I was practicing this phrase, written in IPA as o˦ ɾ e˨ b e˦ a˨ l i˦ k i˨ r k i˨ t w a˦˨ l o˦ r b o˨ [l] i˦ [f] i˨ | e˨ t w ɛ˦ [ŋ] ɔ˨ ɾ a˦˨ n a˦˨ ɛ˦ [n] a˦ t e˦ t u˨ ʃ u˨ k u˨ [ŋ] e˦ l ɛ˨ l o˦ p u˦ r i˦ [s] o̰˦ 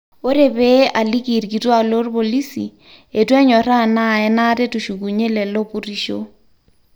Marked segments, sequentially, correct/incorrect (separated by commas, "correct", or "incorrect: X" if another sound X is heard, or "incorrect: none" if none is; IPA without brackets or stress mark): correct, incorrect: s, incorrect: ɲ, correct, incorrect: ɲ, incorrect: ʃ